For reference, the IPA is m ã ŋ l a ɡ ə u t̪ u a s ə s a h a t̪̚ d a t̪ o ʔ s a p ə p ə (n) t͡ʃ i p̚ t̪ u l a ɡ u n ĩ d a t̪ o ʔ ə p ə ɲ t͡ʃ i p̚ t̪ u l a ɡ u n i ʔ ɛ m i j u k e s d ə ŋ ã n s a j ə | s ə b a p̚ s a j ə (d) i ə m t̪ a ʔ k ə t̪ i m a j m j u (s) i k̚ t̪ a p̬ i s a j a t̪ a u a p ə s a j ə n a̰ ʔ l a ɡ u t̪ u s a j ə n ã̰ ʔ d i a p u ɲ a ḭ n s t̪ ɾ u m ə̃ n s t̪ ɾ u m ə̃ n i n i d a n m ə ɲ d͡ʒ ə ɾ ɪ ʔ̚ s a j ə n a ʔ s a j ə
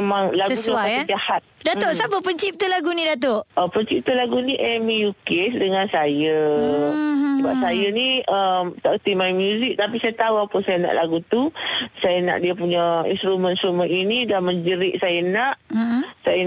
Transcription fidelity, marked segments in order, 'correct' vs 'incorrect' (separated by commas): incorrect, incorrect, incorrect